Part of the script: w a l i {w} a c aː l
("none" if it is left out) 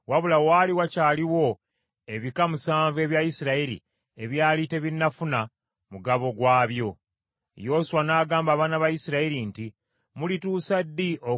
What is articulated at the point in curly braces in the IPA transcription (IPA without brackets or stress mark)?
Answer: w